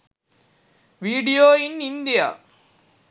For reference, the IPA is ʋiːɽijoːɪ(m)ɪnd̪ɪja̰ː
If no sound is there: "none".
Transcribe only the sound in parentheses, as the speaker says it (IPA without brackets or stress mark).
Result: n